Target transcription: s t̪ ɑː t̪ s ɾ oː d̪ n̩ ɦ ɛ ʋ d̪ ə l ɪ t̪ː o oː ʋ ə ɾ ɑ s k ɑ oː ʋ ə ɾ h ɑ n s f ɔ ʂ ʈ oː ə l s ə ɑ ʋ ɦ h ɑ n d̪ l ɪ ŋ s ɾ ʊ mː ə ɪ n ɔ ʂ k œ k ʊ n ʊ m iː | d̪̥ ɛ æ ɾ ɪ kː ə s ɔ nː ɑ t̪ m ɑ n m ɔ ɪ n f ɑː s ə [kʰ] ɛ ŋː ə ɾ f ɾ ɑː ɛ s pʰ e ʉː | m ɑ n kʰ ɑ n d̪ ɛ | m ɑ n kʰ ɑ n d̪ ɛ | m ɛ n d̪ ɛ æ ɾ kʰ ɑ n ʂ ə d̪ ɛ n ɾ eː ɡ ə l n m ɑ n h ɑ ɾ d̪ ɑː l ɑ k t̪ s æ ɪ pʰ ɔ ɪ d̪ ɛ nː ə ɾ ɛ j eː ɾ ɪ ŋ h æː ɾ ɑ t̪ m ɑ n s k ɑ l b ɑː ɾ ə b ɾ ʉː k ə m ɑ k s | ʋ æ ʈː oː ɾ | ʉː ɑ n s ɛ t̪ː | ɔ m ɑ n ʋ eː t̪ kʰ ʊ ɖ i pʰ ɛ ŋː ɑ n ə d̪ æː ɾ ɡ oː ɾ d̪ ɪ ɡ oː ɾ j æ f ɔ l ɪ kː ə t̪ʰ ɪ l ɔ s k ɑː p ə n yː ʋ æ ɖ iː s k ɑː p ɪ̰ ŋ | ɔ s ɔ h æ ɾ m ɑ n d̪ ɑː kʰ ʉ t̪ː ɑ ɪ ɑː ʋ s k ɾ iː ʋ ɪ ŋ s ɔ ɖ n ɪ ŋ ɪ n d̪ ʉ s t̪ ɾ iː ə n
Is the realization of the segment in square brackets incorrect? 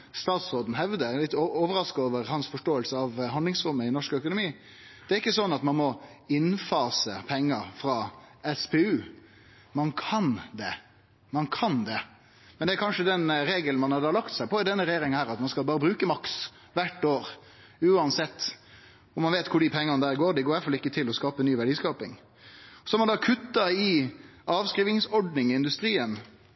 yes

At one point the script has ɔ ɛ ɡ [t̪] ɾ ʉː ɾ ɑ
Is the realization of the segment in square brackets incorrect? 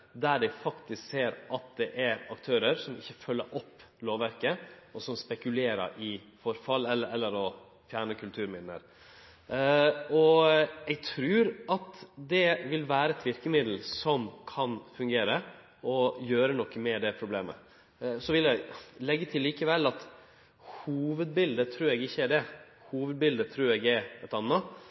yes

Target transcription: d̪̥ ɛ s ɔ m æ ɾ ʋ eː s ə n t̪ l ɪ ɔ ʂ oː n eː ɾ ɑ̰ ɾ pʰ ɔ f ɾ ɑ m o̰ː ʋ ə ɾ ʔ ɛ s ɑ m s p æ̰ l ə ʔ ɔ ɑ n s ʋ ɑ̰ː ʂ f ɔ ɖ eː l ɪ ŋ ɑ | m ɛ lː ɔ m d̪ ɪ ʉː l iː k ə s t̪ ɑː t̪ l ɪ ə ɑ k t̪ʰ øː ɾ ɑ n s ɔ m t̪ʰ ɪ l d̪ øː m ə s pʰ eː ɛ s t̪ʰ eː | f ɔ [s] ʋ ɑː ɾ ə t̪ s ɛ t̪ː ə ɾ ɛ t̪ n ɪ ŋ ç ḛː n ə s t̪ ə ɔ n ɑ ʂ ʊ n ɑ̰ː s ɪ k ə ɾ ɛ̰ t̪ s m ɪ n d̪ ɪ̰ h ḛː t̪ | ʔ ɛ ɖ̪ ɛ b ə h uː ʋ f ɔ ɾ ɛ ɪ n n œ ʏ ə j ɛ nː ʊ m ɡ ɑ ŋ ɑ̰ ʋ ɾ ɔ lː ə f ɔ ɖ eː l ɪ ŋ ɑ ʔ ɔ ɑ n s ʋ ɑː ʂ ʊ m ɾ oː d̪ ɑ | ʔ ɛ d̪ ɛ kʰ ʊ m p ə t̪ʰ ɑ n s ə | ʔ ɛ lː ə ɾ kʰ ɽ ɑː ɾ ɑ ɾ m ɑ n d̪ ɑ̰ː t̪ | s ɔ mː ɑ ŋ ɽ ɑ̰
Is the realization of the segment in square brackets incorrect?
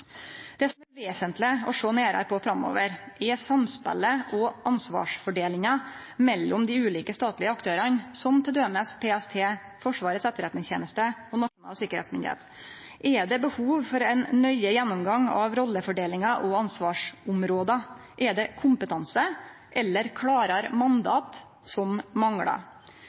yes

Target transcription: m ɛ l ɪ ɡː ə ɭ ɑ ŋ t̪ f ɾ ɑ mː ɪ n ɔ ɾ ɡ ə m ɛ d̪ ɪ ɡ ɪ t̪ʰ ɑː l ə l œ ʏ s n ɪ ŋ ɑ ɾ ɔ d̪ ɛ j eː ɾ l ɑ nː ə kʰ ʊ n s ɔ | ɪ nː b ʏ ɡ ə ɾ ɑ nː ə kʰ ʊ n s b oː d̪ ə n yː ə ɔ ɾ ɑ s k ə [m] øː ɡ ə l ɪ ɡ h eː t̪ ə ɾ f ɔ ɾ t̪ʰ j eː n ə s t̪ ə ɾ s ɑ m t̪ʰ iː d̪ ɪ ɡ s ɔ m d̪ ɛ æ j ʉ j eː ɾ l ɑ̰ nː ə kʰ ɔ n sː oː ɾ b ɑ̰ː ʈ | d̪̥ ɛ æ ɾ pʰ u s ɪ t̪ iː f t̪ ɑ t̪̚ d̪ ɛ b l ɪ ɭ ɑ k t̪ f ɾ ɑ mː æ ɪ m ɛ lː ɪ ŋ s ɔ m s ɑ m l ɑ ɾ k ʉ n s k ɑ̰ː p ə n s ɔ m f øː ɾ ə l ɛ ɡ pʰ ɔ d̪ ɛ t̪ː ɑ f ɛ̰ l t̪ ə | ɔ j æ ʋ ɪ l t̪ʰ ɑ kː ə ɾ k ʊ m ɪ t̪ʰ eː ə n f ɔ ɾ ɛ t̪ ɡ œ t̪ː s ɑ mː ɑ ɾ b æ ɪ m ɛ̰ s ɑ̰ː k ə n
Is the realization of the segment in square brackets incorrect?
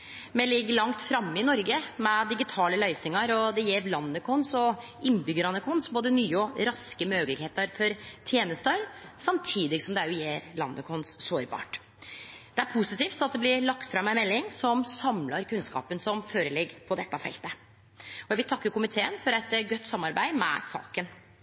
no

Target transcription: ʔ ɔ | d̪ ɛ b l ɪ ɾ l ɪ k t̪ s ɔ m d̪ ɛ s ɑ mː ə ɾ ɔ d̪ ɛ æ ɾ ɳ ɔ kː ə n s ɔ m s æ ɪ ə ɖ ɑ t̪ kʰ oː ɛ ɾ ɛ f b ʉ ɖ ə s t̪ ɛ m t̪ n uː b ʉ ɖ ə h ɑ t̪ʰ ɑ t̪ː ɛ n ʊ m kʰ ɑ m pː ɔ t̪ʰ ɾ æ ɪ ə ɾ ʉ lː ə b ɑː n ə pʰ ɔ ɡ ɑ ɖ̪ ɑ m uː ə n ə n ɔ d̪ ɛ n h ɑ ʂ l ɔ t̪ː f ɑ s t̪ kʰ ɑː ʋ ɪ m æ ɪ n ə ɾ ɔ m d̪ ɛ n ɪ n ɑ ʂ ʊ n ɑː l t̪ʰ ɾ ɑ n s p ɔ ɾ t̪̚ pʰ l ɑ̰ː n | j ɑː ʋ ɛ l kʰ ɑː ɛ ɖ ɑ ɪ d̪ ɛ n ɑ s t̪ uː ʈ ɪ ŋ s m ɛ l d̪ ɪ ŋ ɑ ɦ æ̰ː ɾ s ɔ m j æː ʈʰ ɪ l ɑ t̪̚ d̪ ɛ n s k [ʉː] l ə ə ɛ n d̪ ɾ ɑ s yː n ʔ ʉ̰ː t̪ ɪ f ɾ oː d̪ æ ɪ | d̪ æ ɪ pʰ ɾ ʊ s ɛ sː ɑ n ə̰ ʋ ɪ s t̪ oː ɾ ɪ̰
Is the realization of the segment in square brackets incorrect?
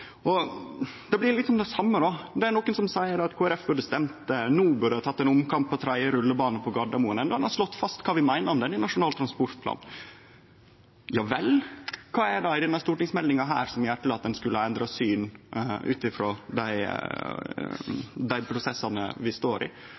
yes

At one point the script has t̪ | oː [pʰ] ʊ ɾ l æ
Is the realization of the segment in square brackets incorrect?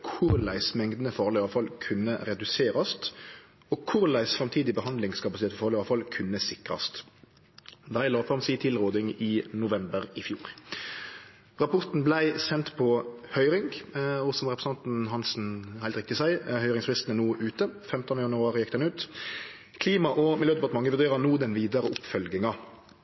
yes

